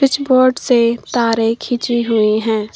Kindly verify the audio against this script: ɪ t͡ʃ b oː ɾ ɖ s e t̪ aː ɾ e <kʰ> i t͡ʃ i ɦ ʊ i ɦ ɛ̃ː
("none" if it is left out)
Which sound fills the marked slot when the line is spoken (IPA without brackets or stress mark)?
kʰ